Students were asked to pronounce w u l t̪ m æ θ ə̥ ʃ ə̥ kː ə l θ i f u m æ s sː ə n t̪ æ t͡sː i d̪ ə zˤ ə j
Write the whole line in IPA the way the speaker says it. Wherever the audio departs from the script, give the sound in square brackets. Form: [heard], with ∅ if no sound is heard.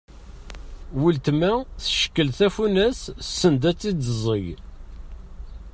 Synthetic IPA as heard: w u l t̪ m æ θ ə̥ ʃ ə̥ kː ə l θ [æ] f u [n] æ s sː ə n [d̪] æ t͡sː i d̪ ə zˤ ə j